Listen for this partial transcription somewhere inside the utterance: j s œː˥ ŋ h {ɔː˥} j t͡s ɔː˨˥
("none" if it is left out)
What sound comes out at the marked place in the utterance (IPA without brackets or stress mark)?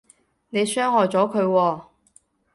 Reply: ɔː˨